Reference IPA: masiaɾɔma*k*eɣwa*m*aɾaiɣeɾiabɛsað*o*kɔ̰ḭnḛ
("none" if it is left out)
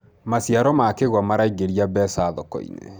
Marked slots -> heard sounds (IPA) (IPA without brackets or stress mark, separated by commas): k, m, ɔ